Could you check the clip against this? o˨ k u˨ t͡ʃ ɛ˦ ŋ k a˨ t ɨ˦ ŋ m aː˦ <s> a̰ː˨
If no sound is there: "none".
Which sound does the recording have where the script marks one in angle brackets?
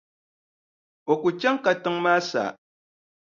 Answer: s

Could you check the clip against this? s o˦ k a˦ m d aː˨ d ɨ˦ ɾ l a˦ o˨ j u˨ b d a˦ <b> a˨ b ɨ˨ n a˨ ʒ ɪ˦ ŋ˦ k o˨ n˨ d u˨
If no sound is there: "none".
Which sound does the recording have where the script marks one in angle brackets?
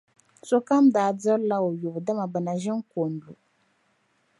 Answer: m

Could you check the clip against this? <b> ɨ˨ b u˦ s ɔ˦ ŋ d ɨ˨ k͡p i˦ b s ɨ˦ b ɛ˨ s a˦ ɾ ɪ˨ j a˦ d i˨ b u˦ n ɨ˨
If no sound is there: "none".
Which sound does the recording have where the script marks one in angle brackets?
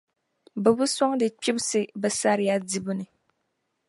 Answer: b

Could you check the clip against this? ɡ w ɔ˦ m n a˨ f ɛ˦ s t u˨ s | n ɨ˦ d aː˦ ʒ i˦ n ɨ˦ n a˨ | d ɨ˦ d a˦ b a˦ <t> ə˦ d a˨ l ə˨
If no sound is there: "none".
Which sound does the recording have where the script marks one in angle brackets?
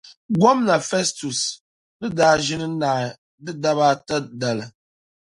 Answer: t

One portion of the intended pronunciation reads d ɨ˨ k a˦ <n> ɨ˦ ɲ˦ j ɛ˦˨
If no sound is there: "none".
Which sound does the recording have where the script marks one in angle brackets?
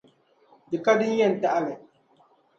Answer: d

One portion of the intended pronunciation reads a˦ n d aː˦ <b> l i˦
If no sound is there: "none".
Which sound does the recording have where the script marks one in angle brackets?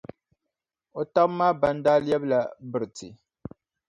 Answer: none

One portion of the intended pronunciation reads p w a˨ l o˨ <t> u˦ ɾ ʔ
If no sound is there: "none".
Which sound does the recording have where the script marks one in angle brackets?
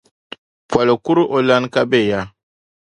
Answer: k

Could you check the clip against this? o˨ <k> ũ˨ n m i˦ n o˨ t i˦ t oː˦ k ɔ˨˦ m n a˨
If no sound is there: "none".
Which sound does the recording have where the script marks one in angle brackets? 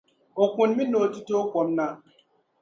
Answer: k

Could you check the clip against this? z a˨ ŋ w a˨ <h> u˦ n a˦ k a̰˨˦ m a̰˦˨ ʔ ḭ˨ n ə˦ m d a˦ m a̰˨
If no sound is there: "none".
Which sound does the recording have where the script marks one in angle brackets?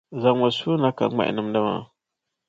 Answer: s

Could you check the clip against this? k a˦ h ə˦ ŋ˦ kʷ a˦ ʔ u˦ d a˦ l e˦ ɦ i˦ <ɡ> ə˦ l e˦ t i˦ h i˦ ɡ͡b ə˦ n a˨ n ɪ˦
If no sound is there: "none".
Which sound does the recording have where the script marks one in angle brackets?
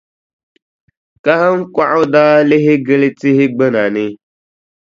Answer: ɡ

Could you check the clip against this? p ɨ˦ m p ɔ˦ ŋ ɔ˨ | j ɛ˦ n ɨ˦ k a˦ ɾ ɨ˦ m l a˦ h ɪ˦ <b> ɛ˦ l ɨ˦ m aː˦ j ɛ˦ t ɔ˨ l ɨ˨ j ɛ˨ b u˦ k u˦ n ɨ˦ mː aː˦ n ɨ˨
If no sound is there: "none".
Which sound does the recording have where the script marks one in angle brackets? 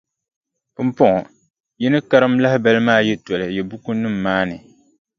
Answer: b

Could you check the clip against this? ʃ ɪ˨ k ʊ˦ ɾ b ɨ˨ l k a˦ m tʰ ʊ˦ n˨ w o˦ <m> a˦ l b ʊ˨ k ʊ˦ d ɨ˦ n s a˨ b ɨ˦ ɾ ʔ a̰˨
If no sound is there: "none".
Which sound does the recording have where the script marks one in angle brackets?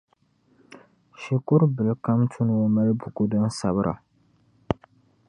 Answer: m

